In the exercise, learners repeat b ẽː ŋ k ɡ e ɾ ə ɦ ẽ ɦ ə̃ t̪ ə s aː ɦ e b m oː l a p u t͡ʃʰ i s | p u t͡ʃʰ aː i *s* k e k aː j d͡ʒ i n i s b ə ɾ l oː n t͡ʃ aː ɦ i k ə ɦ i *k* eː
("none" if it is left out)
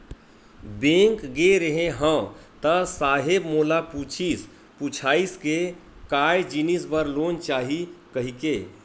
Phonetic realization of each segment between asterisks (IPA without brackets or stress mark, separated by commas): s, k